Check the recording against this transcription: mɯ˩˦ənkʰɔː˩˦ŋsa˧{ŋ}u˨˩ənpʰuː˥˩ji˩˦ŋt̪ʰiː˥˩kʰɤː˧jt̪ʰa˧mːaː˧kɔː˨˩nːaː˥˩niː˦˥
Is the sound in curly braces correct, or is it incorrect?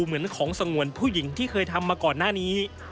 correct